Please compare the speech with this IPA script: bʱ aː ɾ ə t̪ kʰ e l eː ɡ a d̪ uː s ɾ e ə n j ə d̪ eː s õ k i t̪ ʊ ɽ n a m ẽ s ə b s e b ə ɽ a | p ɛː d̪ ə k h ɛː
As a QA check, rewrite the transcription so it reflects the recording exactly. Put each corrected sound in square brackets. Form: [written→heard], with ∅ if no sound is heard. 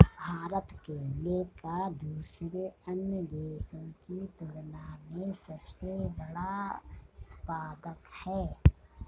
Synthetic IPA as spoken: bʱ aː ɾ ə t̪ [kʰ→k] e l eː [ɡ→k] a d̪ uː s ɾ e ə n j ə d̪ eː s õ k i t̪ ʊ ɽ n a m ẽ s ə b s e b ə ɽ a | p [ɛː→aː] d̪ ə k h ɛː

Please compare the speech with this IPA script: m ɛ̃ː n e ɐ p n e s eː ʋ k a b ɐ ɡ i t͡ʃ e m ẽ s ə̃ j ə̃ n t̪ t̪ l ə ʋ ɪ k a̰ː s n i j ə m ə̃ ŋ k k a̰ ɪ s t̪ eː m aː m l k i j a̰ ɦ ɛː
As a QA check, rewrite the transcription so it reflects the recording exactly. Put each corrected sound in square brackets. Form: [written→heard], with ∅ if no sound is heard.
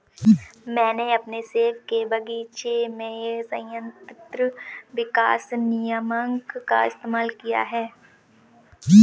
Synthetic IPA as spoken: m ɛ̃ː n e ɐ p n e s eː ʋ k [a→e] b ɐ ɡ i t͡ʃ e m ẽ s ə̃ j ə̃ n t̪ t̪ [l→ɾ] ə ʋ ɪ k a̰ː s n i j ə m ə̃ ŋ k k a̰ ɪ s t̪ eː m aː [m→∅] l k i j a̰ ɦ ɛː

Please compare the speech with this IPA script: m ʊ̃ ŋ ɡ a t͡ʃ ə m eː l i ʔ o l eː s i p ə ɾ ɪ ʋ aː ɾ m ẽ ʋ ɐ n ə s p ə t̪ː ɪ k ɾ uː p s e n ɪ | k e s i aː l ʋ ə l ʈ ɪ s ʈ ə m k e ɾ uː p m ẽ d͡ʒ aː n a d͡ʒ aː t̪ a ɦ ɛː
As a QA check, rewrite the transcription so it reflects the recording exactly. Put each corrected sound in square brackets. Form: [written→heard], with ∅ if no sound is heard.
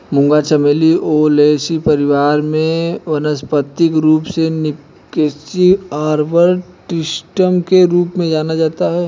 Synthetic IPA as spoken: m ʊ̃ ŋ ɡ a t͡ʃ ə m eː l i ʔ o l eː s i p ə ɾ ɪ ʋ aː ɾ m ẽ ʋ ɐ n ə s p ə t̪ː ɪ k ɾ uː p s e n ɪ | k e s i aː [l→ɾ] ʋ ə [l→ɾ] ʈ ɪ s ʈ ə m k e ɾ uː p m ẽ d͡ʒ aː n a d͡ʒ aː t̪ a ɦ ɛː

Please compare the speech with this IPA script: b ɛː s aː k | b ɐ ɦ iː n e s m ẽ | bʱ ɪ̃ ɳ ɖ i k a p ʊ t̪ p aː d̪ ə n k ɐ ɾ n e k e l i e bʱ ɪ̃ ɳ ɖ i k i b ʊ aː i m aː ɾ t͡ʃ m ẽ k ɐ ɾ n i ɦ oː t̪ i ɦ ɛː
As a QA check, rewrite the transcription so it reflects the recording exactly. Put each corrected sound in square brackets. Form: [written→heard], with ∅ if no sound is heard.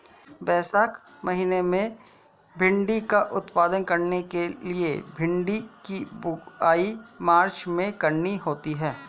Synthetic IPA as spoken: b ɛː s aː k | [b→m] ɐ ɦ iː n e [s→∅] m ẽ | bʱ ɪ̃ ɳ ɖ i k a [p→ʔ] ʊ t̪ p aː d̪ ə n k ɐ ɾ n e k e l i e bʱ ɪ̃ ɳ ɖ i k i b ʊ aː i m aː ɾ t͡ʃ m ẽ k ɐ ɾ n i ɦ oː t̪ i ɦ ɛː

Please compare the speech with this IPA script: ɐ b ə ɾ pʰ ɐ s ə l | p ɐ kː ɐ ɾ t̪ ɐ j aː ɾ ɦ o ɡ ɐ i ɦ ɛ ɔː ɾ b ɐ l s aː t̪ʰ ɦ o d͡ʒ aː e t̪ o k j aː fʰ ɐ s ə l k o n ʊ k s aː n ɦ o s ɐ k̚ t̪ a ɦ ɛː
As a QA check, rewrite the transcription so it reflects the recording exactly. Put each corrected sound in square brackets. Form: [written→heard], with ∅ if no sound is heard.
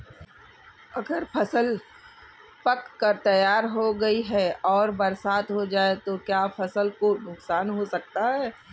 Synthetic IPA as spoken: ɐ [b→ɡ] ə ɾ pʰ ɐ s ə l | p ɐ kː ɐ ɾ t̪ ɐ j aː ɾ ɦ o ɡ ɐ i ɦ ɛ ɔː ɾ b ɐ [l→ɾ] s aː [t̪ʰ→t̪] ɦ o d͡ʒ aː e t̪ o k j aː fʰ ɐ s ə l k o n ʊ k s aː n ɦ o s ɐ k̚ t̪ a ɦ ɛː

